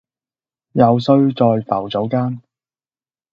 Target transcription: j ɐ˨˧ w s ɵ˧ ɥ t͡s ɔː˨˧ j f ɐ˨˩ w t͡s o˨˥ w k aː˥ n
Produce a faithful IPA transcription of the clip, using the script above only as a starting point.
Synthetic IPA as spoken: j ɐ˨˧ w s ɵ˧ ɥ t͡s ɔː˨˧ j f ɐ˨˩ w t͡s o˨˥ w k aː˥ n